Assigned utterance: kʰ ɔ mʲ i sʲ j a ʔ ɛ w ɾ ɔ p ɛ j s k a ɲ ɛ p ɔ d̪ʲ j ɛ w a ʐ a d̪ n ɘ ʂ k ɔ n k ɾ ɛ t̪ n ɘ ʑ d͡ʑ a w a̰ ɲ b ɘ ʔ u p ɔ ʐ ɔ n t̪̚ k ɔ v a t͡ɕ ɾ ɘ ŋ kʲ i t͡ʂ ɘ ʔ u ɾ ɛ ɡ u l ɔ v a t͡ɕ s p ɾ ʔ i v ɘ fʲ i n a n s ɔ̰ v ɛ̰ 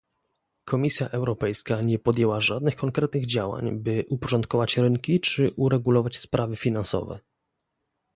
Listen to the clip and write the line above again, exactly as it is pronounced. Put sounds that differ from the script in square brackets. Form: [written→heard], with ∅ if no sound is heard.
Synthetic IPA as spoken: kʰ ɔ mʲ i sʲ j a ʔ ɛ w ɾ ɔ p ɛ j s k a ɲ ɛ p ɔ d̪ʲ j ɛ w a ʐ a d̪ n ɘ [ʂ→x] k ɔ [n→ŋ] k ɾ ɛ t̪ n ɘ [ʑ→ɣ] d͡ʑ a w a̰ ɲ b ɘ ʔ u p ɔ ʐ ɔ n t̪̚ k ɔ v a t͡ɕ ɾ ɘ ŋ kʲ i t͡ʂ ɘ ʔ u ɾ ɛ ɡ u l ɔ v a t͡ɕ s p ɾ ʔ [i→a] v ɘ fʲ i n a n s ɔ̰ v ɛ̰